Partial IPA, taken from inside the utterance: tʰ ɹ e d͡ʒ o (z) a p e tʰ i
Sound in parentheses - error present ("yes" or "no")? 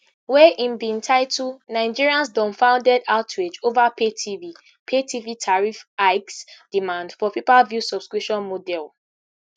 yes